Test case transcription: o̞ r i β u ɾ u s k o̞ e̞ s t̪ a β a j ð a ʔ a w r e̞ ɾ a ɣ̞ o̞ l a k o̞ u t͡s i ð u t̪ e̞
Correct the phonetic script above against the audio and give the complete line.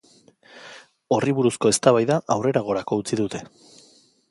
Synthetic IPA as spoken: o̞ r i β u ɾ u s k o̞ e̞ s t̪ a β a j ð a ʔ a w r e̞ ɾ a ɣ̞ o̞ ɾ a k o̞ u t͡s i ð u t̪ e̞